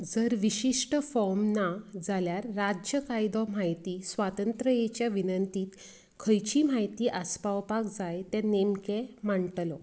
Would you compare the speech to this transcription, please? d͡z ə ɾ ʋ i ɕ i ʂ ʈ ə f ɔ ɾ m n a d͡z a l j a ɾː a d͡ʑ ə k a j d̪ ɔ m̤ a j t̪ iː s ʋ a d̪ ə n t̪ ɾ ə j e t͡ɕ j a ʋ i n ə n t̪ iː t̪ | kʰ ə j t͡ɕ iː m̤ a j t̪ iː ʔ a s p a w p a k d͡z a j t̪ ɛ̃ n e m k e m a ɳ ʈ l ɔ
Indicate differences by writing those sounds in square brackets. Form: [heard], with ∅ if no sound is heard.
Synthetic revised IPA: d͡z ə ɾ ʋ i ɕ i ʂ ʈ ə f ɔ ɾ m n a d͡z a l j a ɾː a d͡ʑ ə k a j d̪ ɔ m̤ a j t̪ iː s ʋ a [t̪] ə n t̪ ɾ ə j e t͡ɕ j a ʋ i n ə n t̪ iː t̪ | kʰ ə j t͡ɕ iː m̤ a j t̪ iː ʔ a s p a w p a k d͡z a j t̪ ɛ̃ n e m k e m a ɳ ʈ l ɔ